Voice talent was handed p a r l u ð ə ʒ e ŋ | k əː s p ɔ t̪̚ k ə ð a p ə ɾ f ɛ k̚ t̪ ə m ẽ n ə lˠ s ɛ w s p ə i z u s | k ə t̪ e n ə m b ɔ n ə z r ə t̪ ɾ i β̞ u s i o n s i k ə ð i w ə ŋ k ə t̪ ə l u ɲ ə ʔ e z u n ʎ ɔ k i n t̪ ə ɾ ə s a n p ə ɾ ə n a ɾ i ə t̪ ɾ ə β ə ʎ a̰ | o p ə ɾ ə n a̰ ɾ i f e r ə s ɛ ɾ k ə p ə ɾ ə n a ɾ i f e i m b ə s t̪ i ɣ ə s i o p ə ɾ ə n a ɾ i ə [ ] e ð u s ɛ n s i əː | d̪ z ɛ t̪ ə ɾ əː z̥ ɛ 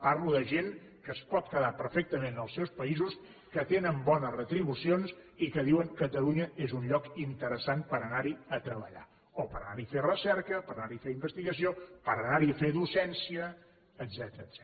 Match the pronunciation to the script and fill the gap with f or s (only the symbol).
f